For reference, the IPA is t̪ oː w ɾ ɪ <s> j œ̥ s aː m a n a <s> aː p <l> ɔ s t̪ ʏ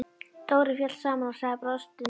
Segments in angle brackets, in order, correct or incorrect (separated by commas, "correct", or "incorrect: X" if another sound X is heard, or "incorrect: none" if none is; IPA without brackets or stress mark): incorrect: f, correct, incorrect: ɾ